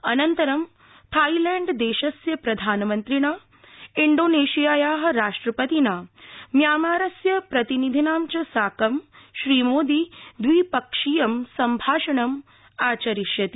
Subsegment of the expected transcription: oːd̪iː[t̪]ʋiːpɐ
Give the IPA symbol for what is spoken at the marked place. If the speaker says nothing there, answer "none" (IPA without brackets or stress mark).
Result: d̪